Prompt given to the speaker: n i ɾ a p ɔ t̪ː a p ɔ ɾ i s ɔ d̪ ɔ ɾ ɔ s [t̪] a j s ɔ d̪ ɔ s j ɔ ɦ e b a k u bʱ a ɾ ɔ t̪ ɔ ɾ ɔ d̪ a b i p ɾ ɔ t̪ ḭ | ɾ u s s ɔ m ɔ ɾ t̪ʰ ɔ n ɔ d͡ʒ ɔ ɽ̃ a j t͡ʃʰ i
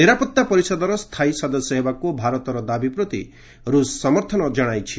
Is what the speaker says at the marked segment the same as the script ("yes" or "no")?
no